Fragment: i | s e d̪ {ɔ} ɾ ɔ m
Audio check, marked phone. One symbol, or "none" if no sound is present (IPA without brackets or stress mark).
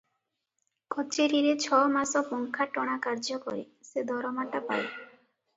ɔ